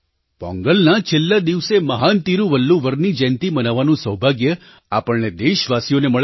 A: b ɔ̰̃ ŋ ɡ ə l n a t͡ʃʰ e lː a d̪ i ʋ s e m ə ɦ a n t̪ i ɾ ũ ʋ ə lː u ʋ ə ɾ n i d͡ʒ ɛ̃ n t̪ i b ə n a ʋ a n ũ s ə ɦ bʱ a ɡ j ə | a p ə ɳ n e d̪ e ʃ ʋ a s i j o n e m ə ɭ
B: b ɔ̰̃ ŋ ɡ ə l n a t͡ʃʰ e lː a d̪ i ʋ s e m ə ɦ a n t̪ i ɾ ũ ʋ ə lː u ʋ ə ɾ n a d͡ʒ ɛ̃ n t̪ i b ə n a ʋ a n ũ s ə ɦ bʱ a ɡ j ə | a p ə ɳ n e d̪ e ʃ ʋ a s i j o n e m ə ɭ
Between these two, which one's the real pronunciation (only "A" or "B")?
A